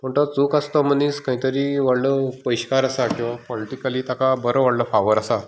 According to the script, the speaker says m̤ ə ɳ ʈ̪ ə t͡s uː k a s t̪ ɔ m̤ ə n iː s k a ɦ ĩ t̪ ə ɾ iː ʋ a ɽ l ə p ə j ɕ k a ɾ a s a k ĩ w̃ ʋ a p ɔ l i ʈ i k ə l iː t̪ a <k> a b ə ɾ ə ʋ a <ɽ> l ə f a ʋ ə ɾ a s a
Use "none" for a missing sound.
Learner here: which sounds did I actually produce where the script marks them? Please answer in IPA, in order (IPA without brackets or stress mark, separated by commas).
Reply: k, ɽ